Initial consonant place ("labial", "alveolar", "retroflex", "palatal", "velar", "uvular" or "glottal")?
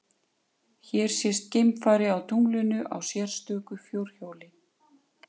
palatal